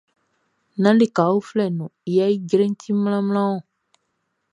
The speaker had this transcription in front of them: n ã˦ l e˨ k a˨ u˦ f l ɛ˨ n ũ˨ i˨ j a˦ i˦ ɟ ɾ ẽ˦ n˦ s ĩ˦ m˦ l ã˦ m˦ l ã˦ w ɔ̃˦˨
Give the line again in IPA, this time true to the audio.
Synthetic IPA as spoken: n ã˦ l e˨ k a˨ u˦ f l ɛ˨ n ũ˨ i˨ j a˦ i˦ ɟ ɾ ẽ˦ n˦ t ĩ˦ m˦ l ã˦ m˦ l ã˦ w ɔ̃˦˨